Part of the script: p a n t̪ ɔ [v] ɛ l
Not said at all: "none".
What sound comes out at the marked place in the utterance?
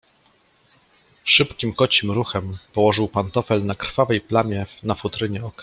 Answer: f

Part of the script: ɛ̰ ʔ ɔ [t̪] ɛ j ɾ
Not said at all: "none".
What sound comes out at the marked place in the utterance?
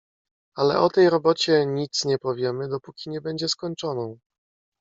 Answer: t̪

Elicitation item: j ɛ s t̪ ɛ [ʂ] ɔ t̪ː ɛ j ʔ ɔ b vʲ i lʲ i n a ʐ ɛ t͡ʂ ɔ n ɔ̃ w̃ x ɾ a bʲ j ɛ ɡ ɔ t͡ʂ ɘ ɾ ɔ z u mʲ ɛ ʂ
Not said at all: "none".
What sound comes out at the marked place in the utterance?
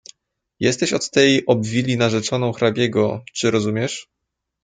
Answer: ɕ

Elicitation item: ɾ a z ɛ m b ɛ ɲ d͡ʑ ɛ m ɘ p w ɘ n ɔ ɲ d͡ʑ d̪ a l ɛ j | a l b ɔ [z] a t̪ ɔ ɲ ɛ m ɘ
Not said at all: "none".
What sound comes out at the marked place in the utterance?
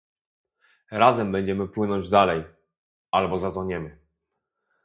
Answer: z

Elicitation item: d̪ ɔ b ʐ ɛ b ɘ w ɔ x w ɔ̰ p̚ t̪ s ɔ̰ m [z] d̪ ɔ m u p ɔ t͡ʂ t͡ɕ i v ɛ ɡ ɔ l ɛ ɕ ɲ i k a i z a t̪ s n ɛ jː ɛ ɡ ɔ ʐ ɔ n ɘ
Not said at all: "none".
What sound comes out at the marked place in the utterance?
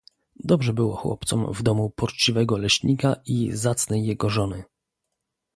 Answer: v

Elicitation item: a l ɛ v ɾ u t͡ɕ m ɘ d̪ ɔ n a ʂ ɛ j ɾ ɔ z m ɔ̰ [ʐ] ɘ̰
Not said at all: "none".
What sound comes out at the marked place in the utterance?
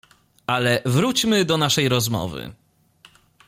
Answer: v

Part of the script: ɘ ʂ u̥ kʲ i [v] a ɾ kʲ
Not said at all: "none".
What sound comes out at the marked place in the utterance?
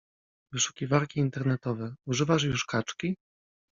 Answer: v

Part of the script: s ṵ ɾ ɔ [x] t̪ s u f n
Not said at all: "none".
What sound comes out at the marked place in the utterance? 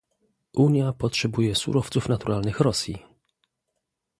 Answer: f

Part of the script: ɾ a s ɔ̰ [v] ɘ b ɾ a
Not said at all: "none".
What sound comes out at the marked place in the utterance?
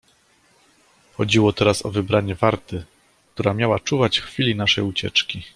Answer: v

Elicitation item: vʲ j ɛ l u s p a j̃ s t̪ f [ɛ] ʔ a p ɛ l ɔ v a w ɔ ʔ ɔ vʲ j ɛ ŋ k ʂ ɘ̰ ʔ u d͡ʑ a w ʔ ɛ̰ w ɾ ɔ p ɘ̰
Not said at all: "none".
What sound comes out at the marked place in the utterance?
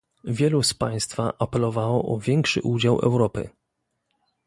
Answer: a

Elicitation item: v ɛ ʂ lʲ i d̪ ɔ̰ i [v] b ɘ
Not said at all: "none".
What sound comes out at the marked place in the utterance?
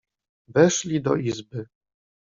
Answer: z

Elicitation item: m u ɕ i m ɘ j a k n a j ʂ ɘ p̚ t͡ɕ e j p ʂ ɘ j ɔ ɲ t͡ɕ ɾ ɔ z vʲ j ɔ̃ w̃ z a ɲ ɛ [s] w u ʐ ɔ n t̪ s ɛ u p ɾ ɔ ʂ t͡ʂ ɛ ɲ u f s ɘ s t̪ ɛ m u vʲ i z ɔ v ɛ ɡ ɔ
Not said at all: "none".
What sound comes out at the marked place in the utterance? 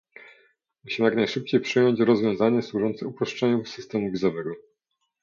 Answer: s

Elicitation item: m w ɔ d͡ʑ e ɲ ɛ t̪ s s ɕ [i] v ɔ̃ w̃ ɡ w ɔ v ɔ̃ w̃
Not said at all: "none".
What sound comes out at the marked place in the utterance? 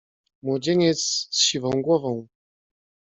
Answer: i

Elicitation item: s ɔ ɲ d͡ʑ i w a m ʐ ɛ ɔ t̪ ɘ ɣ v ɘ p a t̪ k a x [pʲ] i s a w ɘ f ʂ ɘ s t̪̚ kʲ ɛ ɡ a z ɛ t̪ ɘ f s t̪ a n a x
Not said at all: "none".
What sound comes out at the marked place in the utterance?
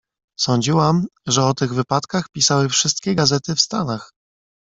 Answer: pʲ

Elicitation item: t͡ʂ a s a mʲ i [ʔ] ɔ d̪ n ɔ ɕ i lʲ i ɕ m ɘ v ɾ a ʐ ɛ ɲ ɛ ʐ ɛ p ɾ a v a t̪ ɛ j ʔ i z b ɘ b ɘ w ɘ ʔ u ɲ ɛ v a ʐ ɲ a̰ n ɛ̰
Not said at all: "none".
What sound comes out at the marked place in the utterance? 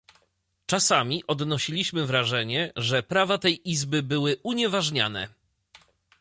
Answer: ʔ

